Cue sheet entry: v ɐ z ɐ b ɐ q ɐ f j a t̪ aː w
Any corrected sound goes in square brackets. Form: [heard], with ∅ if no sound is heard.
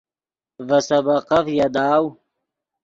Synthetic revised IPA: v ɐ [s] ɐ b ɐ q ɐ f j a [d̪] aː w